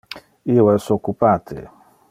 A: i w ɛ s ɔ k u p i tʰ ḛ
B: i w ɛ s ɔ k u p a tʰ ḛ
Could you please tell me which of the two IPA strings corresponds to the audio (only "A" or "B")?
B